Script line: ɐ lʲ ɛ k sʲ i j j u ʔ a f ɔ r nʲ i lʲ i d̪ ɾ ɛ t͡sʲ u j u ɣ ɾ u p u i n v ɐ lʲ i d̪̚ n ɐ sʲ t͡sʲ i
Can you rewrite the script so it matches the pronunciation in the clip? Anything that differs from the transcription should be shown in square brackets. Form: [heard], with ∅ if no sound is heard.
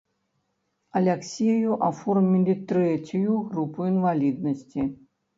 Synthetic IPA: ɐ lʲ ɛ k sʲ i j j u ʔ a f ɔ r [mʲ] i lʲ i [t̪] ɾ ɛ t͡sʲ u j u ɣ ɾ u p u i n v [a] lʲ i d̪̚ n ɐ sʲ t͡sʲ i